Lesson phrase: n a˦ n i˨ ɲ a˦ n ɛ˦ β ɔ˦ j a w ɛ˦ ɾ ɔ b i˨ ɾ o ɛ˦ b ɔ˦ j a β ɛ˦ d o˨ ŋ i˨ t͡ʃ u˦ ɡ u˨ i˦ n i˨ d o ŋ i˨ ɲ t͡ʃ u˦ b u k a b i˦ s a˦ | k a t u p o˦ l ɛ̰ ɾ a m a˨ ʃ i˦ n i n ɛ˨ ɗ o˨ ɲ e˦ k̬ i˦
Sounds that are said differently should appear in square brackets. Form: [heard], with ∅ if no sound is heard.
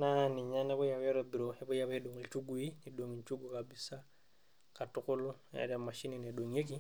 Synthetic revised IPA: n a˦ n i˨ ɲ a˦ n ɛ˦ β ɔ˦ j a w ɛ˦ ɾ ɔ b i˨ ɾ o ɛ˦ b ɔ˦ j a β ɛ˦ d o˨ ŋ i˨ t͡ʃ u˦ ɡ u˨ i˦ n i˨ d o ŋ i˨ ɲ t͡ʃ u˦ [ɡ] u k a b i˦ s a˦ | k a t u [k] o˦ l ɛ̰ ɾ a m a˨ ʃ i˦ n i n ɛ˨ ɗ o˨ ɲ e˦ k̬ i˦